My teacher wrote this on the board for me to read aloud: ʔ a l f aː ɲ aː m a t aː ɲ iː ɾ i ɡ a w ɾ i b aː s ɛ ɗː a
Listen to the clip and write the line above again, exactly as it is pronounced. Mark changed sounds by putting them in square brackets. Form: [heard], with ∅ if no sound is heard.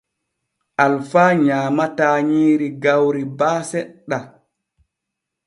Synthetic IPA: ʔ a l f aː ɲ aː m a t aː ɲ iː ɾ i ɡ a w ɾ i b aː s ɛ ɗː a